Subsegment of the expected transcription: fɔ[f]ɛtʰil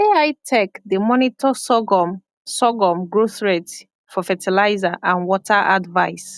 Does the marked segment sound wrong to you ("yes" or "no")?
no